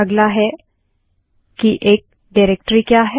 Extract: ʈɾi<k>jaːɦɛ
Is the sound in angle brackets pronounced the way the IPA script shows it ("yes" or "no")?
yes